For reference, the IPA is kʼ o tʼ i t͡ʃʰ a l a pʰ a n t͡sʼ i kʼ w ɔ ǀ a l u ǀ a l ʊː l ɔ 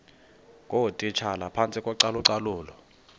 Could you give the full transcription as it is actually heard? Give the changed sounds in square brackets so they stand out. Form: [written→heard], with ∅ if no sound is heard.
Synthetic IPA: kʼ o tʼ i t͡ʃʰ a l a pʰ a n t͡sʼ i kʼ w ɔ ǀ a l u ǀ a l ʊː l ɔ